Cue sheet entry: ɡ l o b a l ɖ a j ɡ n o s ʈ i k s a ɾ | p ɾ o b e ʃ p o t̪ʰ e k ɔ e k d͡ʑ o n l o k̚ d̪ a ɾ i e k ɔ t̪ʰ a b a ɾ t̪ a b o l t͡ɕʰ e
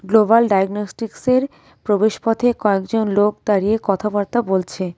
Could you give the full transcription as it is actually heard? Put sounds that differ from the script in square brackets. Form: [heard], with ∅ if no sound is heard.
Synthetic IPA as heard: ɡ l o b a l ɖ a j ɡ n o s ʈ i k s [e] ɾ | p ɾ o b e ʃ p [ɔ] t̪ʰ e k ɔ e k d͡ʑ o n l o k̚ d̪ a ɾ i e k ɔ t̪ʰ a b a ɾ t̪ a b o l t͡ɕʰ e